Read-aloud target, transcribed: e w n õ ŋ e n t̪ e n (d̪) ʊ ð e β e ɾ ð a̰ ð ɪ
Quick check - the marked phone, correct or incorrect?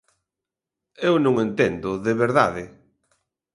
correct